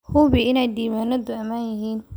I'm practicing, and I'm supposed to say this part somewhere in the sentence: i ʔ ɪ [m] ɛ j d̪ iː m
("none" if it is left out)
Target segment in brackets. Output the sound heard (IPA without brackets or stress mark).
n